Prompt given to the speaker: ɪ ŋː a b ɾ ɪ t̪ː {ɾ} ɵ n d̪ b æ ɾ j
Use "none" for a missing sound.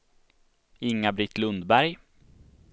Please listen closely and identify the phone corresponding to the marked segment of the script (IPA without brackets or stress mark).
l